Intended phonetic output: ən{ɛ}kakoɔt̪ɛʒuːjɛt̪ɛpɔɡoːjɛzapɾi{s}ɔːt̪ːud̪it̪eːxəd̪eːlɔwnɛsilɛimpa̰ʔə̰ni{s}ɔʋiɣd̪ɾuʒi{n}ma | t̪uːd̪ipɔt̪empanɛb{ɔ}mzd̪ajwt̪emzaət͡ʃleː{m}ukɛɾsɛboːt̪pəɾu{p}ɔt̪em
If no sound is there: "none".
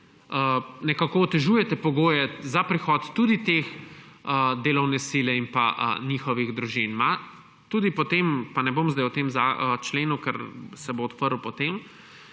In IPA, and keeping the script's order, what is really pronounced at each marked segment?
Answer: ɛ, x, x, n, o, n, p

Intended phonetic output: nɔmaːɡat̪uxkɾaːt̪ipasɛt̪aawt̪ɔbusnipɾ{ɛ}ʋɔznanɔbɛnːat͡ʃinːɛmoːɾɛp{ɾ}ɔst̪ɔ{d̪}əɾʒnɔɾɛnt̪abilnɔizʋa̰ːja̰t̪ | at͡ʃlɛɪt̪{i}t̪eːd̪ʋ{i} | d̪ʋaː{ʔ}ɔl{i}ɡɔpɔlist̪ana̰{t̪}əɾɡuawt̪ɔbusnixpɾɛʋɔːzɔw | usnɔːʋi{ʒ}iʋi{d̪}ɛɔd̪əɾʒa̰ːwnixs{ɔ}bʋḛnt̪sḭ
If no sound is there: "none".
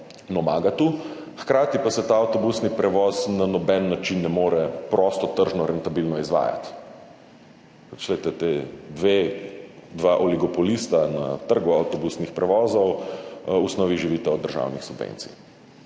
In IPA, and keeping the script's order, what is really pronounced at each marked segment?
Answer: ɛ, ɾ, t̪, ɛ, e, ʔ, i, t̪, ʒ, t̪, u

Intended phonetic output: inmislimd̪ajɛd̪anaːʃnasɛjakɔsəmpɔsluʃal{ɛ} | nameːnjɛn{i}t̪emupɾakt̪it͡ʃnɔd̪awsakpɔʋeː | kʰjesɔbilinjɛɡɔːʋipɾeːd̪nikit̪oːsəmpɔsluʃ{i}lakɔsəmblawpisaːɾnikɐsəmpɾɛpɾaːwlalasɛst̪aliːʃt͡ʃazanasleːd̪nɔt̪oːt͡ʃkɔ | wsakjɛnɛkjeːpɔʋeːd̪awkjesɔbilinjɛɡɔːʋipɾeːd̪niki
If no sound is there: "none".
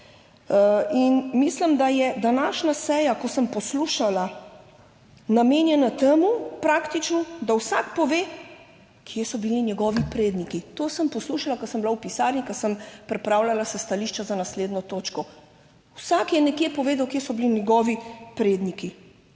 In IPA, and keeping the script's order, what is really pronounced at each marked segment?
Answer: a, a, a

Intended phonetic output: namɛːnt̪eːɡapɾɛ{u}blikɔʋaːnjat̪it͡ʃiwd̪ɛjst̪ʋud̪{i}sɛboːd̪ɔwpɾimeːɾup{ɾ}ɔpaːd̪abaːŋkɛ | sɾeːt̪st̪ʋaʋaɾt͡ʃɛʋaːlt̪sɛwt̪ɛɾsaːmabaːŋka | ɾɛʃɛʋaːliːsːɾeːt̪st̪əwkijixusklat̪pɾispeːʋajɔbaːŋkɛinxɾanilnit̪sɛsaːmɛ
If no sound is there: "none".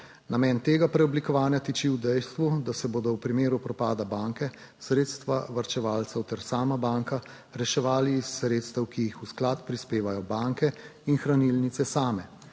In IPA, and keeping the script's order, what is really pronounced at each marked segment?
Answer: ɔ, a, ɾ

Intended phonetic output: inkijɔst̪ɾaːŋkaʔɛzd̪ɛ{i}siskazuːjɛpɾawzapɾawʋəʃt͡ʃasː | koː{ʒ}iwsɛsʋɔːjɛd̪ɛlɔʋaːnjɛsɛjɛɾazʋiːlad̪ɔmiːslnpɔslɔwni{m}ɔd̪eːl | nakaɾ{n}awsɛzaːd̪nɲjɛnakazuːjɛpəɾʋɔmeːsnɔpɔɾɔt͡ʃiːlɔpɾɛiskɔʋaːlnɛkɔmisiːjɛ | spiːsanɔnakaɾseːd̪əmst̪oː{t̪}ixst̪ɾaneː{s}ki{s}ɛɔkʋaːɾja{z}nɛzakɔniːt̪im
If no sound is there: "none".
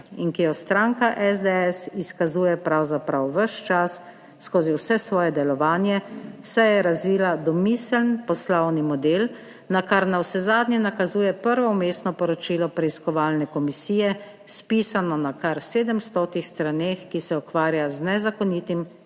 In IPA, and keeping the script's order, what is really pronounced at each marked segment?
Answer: ɛ, z, m, n, t̪, x, s, z

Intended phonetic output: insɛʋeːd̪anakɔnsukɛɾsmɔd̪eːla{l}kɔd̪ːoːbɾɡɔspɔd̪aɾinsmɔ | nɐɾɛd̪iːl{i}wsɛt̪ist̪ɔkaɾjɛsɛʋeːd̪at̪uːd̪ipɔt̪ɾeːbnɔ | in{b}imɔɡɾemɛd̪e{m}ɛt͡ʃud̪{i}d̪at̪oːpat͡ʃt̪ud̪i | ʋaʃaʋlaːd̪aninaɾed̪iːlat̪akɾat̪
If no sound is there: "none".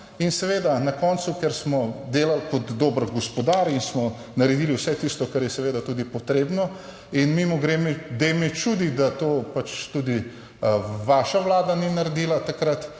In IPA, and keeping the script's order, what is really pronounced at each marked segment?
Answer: l, i, m, m, i

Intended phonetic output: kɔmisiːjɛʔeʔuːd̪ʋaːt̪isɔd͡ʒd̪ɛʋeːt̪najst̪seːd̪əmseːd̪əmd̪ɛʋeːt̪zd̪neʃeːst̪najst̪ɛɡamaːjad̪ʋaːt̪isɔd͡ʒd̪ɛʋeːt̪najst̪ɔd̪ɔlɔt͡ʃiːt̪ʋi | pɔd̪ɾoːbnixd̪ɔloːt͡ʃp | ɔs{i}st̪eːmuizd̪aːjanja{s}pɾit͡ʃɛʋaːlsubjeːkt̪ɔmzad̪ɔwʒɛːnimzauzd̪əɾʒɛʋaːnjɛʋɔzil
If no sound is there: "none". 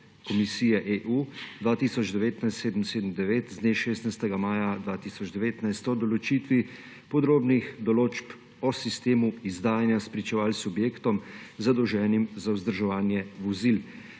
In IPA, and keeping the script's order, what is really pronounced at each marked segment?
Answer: i, s

